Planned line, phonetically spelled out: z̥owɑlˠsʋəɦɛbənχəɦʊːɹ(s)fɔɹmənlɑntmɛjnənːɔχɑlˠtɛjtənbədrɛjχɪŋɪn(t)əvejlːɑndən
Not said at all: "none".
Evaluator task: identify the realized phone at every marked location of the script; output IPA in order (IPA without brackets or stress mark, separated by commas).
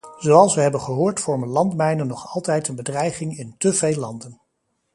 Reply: t, t